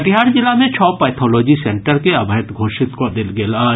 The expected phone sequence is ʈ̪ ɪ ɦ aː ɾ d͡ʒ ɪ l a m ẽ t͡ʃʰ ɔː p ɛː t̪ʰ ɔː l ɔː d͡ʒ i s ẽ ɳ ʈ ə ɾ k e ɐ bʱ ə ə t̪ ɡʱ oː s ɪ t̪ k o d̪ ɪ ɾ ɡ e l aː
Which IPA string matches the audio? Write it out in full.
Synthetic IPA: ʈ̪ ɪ ɦ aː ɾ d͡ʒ ɪ l a m ẽ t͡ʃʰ ɔː p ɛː t̪ʰ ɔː l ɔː d͡ʒ i s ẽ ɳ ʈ ə ɾ k e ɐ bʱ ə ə t̪ ɡʱ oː ʃ ɪ t̪ k o d̪ ɪ l ɡ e l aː